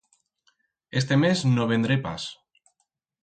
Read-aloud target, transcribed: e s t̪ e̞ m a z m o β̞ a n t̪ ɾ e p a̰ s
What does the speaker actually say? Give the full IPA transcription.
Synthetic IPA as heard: e s t̪ e̞ m e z n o β̞ e n d̪ ɾ e p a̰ s